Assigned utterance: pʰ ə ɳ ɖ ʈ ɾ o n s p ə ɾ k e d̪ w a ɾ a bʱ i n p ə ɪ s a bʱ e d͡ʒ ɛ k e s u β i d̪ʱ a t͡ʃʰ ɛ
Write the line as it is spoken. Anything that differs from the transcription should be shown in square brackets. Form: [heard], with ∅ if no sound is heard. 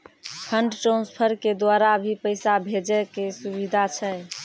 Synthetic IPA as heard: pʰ ə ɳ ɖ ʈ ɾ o n s [pʰ] ə ɾ k e d̪ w a ɾ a bʱ i [∅] p ə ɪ s a bʱ e d͡ʒ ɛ k e s u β i d̪ʱ a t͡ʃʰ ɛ